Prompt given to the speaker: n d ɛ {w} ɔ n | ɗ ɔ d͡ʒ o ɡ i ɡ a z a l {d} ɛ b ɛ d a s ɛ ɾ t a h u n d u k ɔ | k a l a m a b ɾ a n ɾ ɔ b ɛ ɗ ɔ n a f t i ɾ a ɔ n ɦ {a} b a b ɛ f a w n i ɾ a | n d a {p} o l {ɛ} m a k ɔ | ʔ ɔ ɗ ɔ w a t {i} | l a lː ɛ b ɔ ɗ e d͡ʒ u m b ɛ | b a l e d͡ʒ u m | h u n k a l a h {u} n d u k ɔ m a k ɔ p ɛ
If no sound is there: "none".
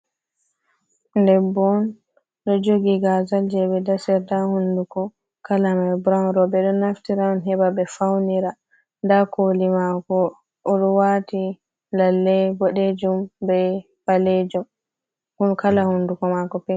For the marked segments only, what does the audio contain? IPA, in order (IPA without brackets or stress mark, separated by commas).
b, d͡ʒ, ɛ, k, i, i, u